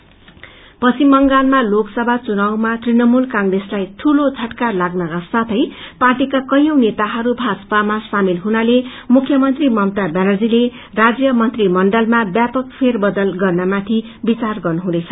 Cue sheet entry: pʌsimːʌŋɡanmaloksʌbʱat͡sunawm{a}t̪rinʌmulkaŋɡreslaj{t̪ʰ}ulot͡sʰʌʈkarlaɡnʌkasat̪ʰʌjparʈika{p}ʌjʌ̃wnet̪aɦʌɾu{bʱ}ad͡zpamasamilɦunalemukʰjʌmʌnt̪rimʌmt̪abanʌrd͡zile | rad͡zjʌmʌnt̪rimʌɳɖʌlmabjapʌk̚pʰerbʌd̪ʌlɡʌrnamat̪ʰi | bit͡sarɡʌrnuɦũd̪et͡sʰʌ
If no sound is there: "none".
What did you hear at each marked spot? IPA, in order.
a, t̪ʰ, k, bʱ

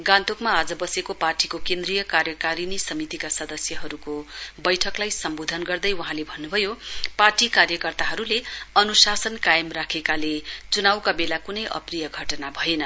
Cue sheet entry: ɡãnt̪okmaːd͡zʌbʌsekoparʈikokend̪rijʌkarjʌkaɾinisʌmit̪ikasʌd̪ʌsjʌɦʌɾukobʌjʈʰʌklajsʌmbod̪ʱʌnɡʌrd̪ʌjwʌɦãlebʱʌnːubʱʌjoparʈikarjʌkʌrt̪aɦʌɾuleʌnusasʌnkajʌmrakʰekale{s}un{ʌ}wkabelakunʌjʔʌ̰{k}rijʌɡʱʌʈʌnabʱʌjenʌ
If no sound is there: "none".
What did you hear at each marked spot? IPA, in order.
t͡s, a, p

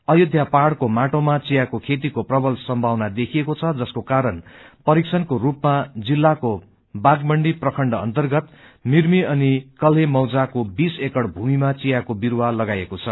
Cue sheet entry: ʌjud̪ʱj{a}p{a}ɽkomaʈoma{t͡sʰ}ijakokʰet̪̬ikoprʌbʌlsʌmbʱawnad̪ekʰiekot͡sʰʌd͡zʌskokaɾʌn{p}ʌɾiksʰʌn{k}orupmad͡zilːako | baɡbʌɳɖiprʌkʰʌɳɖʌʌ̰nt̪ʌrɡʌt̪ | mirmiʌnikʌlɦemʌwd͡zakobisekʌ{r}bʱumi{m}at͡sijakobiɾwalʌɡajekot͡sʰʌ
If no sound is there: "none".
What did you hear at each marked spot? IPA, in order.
a, a, t͡s, p, k, ɽ, m

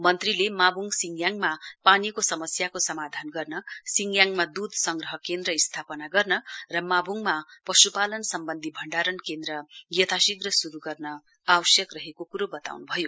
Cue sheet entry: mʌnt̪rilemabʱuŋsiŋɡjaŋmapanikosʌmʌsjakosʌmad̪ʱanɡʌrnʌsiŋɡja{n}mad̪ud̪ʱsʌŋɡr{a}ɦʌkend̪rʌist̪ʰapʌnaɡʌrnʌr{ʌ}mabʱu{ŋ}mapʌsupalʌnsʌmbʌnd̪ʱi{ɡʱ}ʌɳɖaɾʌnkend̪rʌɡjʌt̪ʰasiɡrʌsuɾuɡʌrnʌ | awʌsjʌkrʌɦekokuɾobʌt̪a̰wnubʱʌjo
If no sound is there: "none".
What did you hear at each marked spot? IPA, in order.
ŋ, ʌ, ʌ, ŋ, bʱ

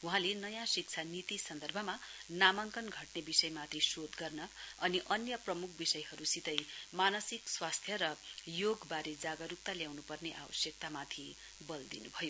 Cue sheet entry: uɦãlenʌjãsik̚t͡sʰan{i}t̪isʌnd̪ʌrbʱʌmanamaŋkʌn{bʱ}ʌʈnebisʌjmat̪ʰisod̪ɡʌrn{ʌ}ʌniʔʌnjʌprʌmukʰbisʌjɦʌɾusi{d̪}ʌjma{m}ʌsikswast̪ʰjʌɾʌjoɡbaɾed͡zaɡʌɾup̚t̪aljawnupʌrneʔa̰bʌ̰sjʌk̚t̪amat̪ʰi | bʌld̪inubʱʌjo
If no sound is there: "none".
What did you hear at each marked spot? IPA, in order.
i, ɡʱ, ʌ, t̪, n

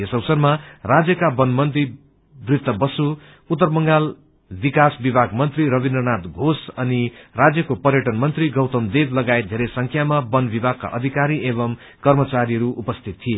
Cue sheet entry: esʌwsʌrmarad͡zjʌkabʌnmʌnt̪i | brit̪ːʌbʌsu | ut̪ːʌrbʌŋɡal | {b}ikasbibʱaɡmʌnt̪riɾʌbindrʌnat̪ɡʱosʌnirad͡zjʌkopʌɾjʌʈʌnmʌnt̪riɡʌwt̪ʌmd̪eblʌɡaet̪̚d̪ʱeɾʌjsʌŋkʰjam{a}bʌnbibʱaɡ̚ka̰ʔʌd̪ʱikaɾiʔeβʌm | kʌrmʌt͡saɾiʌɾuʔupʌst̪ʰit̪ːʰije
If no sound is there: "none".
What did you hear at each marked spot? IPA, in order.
b, a

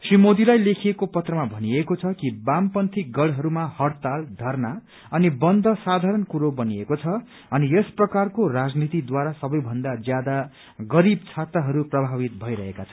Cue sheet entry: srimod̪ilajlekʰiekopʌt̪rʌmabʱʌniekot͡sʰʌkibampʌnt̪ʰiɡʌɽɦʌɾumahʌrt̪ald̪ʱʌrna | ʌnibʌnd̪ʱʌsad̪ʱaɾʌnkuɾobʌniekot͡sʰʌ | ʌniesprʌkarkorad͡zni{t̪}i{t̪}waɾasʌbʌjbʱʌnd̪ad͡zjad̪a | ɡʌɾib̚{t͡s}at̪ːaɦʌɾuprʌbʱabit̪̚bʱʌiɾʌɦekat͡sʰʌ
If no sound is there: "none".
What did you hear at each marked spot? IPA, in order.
t̪, d̪, t͡sʰ

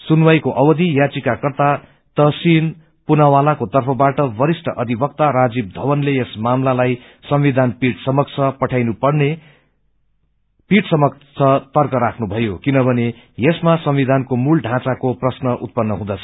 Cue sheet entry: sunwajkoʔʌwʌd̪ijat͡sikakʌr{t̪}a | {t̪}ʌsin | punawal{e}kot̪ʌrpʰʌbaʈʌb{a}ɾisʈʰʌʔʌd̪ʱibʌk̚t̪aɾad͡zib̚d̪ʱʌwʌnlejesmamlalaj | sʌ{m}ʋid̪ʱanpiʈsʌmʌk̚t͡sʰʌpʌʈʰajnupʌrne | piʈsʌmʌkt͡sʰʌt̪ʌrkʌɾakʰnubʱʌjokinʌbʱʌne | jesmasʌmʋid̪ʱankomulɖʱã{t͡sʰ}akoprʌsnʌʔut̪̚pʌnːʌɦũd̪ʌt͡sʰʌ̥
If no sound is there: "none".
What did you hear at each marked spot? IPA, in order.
t̪, t̪, a, ʌ, m, t͡s

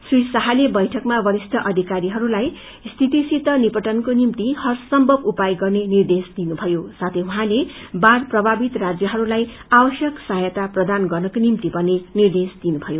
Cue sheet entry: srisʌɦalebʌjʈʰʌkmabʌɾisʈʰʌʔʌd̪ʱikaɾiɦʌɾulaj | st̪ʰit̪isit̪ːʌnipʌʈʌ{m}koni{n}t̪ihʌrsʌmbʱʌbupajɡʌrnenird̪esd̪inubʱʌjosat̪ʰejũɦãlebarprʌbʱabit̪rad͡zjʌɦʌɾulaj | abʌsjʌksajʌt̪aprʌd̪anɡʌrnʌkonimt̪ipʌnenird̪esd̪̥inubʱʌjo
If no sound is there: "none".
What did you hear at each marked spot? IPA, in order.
n, m

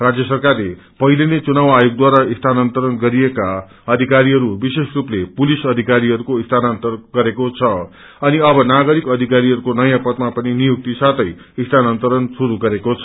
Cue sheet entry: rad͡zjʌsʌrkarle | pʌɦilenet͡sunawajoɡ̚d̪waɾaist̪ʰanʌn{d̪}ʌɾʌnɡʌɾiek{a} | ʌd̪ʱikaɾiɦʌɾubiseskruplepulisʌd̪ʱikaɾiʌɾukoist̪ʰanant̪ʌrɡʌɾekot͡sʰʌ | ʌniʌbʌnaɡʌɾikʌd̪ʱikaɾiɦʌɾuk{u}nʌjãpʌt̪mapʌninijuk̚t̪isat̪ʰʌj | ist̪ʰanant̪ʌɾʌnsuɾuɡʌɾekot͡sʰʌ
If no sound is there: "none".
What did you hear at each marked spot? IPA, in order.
t̪, a, o

